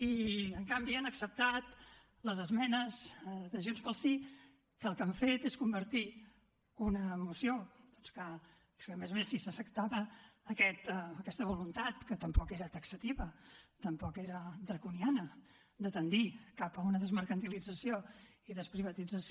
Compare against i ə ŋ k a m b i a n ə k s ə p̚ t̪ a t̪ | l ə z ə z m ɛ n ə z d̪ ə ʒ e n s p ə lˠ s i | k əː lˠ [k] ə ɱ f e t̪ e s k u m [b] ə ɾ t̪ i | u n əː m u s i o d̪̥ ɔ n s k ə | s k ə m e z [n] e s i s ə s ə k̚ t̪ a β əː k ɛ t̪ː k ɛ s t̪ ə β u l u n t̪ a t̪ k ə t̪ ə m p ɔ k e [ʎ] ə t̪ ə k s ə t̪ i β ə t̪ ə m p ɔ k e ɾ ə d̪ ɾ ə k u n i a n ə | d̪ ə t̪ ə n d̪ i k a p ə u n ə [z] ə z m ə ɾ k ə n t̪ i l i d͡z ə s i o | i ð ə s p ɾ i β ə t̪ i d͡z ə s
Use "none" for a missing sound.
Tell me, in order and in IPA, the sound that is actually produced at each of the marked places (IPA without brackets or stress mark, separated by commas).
k, b, m, ɾ, ð